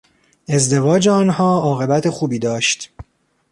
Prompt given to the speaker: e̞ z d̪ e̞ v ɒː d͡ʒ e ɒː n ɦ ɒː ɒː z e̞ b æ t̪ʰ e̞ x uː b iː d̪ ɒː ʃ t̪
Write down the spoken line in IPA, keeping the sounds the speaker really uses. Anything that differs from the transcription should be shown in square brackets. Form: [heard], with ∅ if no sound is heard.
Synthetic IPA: e̞ z d̪ e̞ v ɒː d͡ʒ e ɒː n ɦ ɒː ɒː [ɣ] e̞ b æ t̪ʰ e̞ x uː b iː d̪ ɒː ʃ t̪